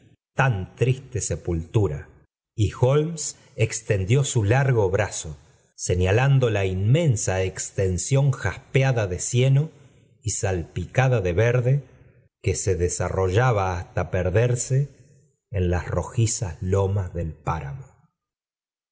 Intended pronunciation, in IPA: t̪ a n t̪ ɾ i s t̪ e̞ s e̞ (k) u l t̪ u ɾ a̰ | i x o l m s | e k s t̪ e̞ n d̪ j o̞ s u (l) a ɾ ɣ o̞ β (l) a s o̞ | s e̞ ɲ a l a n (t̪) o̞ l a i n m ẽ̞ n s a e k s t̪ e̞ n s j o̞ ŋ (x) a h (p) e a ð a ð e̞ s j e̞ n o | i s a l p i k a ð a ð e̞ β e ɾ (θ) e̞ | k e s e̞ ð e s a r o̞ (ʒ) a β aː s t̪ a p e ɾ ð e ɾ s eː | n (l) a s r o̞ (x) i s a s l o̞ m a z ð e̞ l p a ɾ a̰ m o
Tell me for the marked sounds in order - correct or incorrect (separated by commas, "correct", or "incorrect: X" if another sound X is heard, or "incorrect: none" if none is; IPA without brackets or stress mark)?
incorrect: p, correct, incorrect: ɾ, incorrect: d̪, correct, correct, incorrect: ð, correct, correct, correct